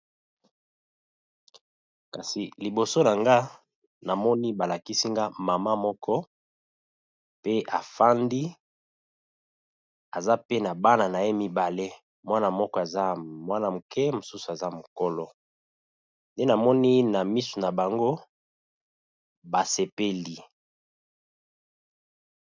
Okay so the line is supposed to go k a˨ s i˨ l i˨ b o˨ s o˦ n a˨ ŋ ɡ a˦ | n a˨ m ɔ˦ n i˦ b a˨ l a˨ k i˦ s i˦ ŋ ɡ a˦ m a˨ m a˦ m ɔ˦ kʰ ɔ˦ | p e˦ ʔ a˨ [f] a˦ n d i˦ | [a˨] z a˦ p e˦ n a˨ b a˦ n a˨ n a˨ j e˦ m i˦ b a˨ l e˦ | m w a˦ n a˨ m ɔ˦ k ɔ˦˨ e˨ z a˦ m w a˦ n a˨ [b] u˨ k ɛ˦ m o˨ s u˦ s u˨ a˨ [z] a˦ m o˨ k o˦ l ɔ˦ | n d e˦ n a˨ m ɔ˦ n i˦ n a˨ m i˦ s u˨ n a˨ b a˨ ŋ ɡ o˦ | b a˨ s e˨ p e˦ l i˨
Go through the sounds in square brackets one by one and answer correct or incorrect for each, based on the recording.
correct, correct, incorrect, correct

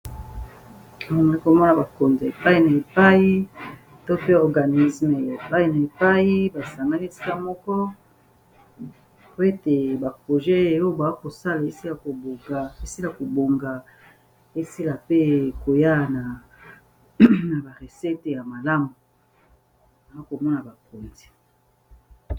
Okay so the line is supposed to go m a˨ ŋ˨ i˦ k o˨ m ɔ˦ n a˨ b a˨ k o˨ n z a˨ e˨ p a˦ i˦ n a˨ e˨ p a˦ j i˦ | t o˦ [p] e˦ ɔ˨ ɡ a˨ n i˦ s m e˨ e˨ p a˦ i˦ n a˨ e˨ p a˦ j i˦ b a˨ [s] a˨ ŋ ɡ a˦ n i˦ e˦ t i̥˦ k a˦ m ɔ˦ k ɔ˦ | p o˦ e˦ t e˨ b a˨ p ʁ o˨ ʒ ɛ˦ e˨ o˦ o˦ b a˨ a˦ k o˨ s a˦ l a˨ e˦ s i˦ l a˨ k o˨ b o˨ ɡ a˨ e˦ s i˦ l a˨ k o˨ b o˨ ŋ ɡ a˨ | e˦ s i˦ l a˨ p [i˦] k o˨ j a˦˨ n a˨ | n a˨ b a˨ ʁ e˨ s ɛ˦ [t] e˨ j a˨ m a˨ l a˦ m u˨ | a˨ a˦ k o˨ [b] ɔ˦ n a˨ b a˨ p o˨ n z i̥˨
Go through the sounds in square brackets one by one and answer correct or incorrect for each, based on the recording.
correct, correct, incorrect, correct, incorrect

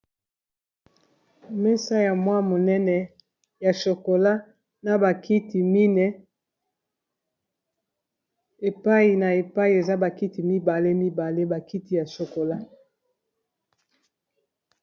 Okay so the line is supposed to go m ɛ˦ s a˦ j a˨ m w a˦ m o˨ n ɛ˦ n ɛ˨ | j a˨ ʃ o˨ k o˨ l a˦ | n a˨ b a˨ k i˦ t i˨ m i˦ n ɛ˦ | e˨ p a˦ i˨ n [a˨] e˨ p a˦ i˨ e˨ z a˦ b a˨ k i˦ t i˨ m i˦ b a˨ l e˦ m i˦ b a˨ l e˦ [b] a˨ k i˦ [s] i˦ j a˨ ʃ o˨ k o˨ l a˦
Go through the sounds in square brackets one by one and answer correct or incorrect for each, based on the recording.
correct, correct, incorrect

